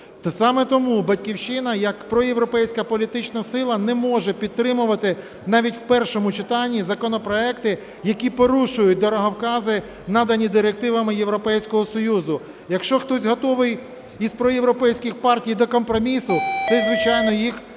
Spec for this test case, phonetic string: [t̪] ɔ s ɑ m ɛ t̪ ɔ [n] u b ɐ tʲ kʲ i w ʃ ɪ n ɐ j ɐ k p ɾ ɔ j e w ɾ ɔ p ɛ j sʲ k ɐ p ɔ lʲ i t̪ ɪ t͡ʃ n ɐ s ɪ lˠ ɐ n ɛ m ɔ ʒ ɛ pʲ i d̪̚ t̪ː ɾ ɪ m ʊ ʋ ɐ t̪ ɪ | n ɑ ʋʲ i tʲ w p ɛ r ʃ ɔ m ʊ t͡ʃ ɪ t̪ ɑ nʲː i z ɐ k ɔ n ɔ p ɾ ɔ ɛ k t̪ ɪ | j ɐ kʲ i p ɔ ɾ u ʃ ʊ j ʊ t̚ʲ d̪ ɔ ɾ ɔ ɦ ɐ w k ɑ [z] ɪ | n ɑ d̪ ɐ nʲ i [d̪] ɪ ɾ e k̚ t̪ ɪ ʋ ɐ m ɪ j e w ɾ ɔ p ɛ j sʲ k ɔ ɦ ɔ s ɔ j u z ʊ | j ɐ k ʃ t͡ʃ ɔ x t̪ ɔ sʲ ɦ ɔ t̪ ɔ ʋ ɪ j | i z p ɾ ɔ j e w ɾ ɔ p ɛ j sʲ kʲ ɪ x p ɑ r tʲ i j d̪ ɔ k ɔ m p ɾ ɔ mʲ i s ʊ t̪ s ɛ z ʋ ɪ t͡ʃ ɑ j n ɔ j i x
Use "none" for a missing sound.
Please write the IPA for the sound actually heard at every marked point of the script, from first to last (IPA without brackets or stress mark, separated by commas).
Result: t̪, m, z, d̪